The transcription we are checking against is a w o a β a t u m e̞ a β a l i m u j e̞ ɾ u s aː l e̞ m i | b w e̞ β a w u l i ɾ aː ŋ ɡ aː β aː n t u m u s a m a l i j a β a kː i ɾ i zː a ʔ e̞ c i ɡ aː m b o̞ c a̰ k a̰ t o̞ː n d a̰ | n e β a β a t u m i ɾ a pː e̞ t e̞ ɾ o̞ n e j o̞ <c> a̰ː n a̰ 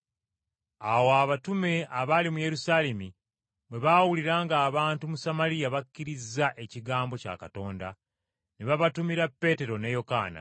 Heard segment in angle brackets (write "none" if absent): k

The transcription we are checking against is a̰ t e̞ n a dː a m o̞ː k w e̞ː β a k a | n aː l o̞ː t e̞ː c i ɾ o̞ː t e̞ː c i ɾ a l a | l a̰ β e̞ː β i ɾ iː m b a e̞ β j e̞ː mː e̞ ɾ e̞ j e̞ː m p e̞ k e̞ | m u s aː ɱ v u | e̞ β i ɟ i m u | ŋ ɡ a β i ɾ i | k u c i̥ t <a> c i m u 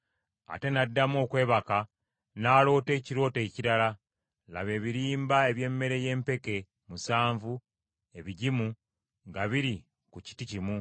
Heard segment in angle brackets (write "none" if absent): i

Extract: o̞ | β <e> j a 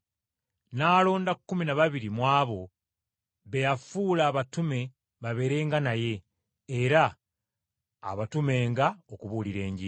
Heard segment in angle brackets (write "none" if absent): e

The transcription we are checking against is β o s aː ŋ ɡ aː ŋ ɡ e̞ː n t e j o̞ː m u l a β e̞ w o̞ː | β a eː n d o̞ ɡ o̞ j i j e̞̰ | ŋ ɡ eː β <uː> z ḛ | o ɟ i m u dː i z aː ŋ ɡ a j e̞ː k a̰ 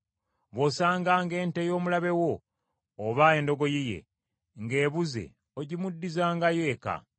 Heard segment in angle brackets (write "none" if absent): u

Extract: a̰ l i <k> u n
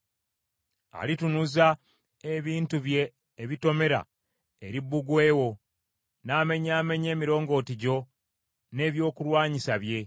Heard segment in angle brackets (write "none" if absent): t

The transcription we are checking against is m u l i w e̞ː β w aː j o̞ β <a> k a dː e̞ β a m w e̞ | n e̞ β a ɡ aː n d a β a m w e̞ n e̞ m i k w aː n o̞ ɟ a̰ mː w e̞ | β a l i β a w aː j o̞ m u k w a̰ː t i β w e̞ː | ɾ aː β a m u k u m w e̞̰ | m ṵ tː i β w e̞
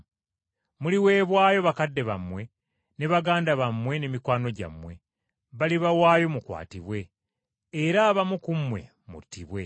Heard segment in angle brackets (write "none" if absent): a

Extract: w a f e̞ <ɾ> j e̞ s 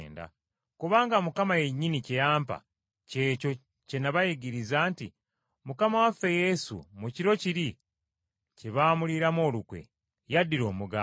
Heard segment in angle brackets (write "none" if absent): none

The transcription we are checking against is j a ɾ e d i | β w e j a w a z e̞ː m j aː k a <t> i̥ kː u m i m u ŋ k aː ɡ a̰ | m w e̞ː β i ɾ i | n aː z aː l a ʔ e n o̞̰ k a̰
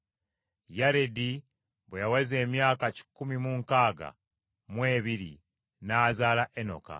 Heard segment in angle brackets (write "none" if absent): c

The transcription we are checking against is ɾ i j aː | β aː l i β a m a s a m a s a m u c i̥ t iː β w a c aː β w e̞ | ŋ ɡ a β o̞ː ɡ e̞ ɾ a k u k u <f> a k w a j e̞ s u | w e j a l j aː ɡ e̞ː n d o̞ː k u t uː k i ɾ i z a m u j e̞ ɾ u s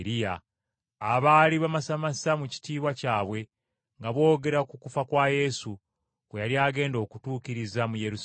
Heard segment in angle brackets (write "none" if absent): f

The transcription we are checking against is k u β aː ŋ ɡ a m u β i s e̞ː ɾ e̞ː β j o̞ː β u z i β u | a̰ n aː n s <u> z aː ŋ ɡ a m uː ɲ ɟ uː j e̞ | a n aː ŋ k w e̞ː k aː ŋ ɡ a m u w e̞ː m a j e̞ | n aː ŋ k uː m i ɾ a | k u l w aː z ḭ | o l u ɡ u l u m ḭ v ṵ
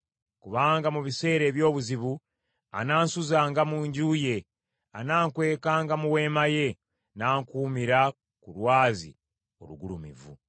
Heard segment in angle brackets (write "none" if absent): u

